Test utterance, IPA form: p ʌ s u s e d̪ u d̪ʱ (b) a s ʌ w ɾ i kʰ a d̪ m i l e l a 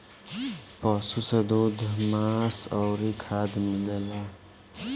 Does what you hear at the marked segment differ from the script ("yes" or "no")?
yes